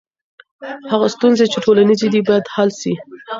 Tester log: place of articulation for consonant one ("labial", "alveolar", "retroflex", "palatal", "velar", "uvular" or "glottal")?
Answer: glottal